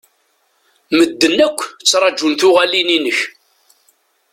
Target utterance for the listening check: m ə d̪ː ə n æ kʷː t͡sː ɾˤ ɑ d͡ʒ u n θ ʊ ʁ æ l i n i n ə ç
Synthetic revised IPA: m ə d̪ː ə n æ kʷː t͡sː ɾˤ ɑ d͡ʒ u n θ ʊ ʁ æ l i n i n ə ç